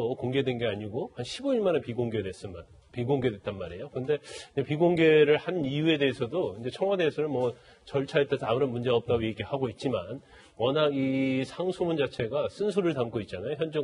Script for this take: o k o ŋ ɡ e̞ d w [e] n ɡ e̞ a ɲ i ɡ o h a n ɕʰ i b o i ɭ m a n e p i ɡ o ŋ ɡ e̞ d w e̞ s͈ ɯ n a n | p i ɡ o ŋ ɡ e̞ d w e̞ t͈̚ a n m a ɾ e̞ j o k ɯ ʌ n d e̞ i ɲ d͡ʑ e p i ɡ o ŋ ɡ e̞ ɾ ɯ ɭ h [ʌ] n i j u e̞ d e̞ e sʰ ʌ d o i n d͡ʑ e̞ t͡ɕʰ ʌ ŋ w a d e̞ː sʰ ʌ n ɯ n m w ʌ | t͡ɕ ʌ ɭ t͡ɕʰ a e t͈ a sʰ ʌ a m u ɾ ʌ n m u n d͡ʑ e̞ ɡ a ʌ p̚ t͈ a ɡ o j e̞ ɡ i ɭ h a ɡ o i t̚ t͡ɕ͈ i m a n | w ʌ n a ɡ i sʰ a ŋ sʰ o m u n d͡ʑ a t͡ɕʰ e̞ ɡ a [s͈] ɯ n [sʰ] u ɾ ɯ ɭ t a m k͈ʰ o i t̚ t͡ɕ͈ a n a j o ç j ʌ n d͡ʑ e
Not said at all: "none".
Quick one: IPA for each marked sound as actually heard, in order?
e, a, s͈, sʰ

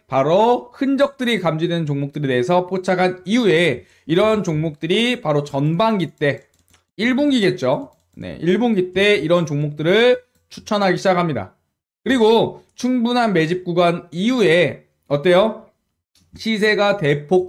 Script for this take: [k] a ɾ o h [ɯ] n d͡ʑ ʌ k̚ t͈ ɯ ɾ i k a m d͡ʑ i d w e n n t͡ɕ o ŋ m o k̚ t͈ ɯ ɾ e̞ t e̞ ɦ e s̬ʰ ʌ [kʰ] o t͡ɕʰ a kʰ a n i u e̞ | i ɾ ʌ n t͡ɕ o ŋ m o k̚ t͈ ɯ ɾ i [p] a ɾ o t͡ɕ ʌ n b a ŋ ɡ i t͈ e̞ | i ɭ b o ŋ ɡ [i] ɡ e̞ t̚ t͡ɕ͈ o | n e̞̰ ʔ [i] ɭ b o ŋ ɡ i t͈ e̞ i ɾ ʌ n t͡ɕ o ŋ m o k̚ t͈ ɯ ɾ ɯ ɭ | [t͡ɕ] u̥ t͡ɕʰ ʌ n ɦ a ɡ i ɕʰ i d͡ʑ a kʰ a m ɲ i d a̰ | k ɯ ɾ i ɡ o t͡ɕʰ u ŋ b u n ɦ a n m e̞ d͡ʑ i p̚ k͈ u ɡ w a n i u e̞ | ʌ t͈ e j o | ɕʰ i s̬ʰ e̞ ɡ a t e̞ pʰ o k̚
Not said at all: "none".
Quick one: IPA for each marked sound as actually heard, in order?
p, ɯ, pʰ, p, i, i, t͡ɕʰ

